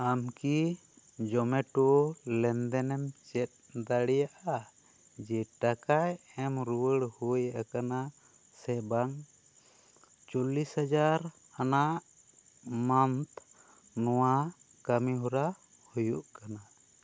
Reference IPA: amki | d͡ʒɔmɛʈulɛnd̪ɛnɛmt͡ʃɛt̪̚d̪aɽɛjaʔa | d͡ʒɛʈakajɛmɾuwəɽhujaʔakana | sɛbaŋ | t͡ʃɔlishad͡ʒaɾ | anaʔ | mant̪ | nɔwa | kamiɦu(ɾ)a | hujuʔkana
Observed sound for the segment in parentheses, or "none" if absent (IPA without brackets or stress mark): ɾ